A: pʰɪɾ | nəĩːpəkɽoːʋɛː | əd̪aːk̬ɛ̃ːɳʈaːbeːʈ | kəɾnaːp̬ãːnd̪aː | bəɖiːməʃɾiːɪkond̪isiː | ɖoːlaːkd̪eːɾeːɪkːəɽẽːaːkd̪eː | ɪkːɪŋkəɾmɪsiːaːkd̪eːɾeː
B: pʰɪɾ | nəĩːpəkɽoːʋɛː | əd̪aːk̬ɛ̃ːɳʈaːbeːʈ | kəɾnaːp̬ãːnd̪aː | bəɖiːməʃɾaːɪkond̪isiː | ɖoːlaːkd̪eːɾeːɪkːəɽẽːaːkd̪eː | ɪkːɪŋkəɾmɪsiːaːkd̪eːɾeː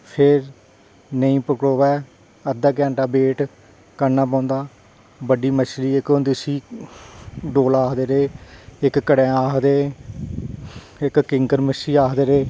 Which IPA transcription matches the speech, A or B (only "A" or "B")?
A